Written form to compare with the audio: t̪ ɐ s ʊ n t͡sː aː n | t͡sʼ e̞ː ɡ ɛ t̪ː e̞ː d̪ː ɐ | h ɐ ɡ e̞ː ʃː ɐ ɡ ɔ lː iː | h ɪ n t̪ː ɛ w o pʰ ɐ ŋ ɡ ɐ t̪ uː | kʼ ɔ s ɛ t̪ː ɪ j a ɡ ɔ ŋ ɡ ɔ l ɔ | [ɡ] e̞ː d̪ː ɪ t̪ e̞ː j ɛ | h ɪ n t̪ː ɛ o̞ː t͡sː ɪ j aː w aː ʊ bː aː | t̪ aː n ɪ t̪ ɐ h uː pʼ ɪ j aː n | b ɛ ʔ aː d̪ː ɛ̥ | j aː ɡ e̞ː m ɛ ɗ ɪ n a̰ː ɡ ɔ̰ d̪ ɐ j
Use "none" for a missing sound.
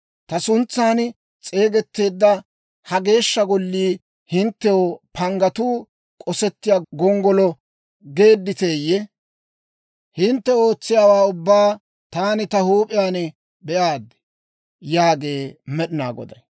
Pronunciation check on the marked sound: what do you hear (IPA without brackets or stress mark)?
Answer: ɡ